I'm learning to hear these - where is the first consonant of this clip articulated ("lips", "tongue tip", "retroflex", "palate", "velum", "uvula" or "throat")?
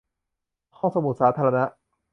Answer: throat